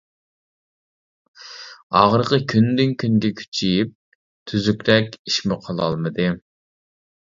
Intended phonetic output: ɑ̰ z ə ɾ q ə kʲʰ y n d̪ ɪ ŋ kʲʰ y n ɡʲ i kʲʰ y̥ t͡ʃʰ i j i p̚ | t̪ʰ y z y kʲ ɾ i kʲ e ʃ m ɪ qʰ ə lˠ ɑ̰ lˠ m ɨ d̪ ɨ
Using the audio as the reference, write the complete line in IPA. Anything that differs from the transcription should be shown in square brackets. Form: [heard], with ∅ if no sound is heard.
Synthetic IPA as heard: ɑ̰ [ʁ] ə ɾ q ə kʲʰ y n d̪ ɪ ŋ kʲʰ y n ɡʲ [ɛ] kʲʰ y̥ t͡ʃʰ i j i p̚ | t̪ʰ y z y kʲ ɾ [ɛ] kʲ [i] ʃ m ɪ qʰ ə lˠ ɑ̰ lˠ m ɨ d̪ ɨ